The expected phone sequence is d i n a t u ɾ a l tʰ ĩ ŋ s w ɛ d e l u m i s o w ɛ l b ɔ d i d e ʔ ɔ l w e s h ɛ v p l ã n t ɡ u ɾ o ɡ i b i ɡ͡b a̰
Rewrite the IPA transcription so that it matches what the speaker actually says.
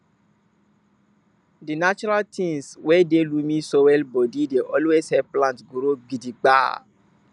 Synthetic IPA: d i n a t͡ʃ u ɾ a l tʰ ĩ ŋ s w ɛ d e l u m ĩ s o w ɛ l b ɔ d i d e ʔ ɔ l w e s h ɛ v p l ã n t ɡ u ɾ o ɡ i d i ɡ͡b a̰